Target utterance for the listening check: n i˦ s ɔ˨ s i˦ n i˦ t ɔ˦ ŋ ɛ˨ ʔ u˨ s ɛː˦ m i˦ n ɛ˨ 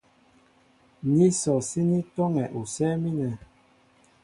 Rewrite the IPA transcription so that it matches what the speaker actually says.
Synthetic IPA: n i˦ s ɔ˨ s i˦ n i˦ t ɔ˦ ŋ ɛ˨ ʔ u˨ s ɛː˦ m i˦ n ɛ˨